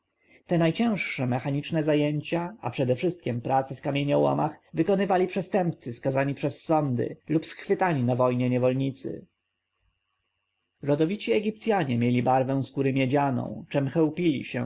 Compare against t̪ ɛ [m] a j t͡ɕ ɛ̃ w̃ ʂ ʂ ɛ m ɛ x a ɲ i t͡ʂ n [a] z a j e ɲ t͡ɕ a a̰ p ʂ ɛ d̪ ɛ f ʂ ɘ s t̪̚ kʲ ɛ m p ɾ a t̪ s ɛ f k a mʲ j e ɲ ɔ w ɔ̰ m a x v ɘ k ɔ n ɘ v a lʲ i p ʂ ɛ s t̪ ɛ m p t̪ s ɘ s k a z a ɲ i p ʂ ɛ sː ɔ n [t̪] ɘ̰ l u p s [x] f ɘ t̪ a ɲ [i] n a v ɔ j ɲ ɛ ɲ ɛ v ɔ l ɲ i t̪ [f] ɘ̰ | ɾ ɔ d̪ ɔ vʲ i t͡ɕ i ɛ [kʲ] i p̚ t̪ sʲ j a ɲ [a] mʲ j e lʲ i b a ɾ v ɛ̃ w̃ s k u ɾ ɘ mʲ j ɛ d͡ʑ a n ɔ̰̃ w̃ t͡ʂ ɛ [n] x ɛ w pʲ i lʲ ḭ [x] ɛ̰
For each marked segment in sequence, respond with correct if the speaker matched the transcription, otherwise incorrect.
incorrect: n, incorrect: ɛ, incorrect: d̪, correct, correct, incorrect: s, incorrect: ɡʲ, incorrect: ɛ, incorrect: m, incorrect: ɕ

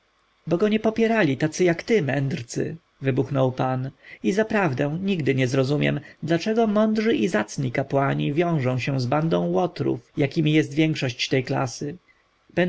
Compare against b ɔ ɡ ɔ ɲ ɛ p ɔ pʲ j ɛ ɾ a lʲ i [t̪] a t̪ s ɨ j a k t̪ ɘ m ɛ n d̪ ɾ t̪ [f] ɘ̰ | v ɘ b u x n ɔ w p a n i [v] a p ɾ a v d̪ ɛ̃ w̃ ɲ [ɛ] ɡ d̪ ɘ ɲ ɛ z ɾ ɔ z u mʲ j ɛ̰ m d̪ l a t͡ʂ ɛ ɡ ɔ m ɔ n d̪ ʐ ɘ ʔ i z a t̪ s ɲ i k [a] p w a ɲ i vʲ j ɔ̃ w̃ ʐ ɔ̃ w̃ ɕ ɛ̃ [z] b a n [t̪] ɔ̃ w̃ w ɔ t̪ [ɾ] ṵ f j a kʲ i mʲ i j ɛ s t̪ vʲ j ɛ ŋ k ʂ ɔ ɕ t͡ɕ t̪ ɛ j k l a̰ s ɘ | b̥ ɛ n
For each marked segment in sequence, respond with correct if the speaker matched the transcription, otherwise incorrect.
correct, incorrect: s, incorrect: z, incorrect: i, correct, correct, incorrect: d̪, correct

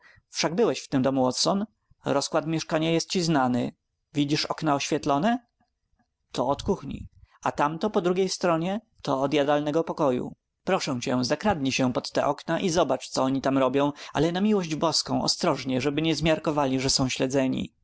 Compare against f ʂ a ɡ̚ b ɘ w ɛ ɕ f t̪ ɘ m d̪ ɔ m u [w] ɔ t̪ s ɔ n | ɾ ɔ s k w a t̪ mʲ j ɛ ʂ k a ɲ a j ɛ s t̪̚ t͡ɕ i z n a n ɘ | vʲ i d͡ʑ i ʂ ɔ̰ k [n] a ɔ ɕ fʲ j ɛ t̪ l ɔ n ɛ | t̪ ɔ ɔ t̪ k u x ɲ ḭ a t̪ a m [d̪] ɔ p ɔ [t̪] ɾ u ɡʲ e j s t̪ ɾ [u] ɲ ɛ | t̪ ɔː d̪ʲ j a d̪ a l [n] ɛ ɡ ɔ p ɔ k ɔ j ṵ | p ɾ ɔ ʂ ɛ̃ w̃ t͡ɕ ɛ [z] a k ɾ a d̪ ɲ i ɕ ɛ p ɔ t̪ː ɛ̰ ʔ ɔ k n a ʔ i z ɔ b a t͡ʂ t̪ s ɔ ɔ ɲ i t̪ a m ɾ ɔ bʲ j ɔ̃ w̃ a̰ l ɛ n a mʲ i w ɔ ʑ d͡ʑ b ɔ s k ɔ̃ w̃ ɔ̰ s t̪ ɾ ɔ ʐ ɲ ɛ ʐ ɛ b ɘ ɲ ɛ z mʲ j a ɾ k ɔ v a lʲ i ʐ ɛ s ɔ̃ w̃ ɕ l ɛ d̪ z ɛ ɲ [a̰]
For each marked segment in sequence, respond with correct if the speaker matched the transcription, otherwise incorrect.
correct, correct, incorrect: t̪, incorrect: d̪, incorrect: ɔ, correct, correct, incorrect: ḭ

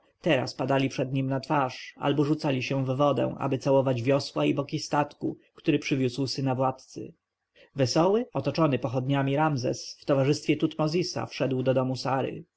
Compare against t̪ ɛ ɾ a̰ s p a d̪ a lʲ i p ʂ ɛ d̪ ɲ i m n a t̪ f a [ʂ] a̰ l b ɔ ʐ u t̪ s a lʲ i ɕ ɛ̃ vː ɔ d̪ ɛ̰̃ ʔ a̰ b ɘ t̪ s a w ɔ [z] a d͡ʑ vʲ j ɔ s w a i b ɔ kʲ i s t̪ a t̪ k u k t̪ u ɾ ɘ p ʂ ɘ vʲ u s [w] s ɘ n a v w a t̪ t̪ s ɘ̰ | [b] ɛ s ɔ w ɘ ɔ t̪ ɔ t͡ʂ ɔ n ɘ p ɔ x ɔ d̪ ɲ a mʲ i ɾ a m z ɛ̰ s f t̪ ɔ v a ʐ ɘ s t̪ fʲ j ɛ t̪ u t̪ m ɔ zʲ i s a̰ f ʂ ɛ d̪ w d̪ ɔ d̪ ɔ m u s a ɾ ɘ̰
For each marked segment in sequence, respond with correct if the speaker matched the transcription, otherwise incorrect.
correct, incorrect: v, correct, incorrect: v

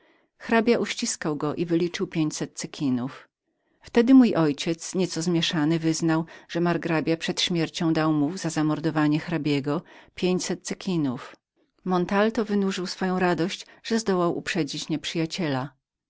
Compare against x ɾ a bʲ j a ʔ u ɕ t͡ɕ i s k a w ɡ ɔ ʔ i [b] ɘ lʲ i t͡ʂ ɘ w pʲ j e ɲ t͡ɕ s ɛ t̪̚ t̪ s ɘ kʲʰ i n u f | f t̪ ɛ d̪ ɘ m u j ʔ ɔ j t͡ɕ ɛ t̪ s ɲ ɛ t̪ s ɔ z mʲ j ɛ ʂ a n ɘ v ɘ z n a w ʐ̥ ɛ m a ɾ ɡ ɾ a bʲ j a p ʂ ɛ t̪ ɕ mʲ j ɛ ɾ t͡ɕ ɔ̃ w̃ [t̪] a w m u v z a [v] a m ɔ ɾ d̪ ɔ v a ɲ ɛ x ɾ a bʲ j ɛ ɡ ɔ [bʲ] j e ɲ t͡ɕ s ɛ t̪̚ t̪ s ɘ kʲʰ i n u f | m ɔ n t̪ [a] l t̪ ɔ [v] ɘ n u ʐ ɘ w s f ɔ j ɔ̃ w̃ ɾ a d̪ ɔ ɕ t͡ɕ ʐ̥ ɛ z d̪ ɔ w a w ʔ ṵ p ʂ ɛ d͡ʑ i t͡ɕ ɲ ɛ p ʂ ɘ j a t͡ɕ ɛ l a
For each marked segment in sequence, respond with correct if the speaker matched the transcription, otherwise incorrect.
incorrect: v, incorrect: d̪, incorrect: z, incorrect: pʲ, correct, correct

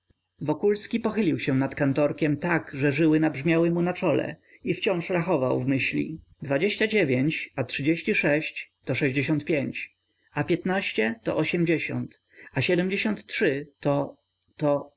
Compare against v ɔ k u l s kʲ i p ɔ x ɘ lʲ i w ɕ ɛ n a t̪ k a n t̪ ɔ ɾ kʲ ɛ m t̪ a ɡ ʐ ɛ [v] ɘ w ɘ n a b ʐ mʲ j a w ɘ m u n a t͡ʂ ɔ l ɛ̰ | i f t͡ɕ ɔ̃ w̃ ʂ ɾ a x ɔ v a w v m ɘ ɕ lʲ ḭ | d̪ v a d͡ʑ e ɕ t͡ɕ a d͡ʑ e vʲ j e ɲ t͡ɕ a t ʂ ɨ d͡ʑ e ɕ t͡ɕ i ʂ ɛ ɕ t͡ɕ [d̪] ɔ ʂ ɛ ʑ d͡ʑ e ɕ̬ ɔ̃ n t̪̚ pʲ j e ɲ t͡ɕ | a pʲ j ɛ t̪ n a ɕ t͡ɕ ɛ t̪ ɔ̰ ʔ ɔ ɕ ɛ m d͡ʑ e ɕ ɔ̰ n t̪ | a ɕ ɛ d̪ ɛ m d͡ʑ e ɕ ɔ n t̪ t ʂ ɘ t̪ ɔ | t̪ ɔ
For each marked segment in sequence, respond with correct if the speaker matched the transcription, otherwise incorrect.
incorrect: ʐ, incorrect: t̪

